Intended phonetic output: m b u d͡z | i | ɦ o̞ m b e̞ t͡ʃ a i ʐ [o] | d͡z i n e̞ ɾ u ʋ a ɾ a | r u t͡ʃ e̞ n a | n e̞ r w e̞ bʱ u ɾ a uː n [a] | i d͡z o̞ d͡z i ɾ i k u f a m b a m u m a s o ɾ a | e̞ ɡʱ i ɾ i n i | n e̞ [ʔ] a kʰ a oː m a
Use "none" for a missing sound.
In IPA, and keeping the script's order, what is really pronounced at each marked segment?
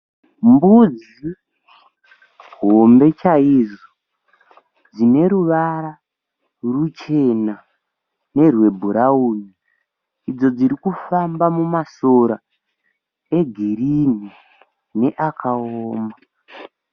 o, i, ʔ

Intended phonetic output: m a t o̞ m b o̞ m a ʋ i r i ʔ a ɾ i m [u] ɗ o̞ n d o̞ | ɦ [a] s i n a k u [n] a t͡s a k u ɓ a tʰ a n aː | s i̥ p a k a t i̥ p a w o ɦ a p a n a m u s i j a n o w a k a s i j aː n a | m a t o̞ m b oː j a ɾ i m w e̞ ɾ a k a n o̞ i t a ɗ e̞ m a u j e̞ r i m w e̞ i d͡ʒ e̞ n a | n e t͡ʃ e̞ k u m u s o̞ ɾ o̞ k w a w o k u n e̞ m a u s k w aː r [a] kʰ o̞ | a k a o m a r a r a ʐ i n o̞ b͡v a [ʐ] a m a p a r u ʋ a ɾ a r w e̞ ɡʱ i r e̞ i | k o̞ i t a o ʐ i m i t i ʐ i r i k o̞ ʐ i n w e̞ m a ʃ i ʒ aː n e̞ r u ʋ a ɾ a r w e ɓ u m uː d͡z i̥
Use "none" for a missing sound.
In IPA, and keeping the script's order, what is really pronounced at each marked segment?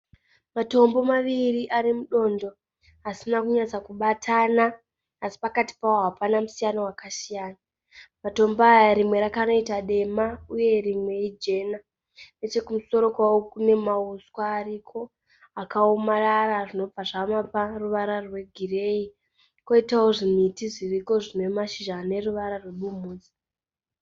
u, a, ɲ, i, ʐ

